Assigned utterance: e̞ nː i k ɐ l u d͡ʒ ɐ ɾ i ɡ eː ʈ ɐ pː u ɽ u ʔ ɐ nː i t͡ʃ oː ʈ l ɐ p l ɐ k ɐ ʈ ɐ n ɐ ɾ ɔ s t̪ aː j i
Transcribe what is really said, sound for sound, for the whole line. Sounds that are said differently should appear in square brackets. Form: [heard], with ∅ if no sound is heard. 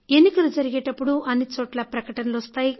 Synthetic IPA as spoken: e̞ nː i k ɐ l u d͡ʒ ɐ ɾ i ɡ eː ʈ ɐ pː u ɽ u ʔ ɐ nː i t͡ʃ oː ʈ l ɐ p [ɾ] ɐ k ɐ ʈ ɐ n ɐ [l] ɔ s t̪ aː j i